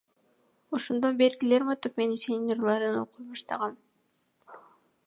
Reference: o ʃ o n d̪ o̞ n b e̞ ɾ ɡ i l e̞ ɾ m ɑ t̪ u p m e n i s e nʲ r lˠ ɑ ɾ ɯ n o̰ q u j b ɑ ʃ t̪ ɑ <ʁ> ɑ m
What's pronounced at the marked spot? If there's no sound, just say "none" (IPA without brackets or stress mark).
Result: ʁ